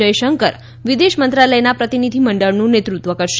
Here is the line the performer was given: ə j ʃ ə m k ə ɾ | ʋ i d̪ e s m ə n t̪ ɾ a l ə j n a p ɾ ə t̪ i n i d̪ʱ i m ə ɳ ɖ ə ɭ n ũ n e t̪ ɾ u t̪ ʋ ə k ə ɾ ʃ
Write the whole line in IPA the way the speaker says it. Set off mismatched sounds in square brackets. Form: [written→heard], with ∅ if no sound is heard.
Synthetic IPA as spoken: ə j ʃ ə [m→ŋ] k ə ɾ | ʋ i d̪ e [s→ʃ] m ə n t̪ ɾ a l ə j n a p ɾ ə t̪ i n i d̪ʱ i m ə ɳ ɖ ə ɭ n ũ n e t̪ ɾ u t̪ ʋ ə k ə ɾ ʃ